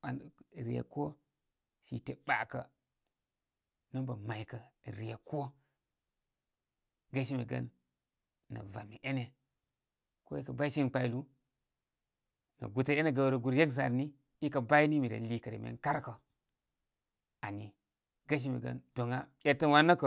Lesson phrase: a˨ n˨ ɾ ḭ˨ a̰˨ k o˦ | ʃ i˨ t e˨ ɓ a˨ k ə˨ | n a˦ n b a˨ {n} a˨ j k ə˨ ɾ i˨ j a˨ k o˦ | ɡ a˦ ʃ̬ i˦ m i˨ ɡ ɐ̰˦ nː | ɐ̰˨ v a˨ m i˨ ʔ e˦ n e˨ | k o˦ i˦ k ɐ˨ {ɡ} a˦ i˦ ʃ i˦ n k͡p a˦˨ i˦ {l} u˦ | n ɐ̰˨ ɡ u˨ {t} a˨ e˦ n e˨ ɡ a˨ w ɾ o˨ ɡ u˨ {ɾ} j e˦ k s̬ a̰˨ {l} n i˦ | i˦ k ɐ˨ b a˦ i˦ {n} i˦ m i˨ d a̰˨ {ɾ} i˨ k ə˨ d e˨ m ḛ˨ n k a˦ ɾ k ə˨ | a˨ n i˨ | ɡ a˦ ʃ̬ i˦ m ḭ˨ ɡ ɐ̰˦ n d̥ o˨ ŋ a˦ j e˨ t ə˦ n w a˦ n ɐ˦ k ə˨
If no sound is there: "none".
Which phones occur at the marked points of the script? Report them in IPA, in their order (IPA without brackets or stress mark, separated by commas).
m, b, l, t, ɾ, ɾ, n, l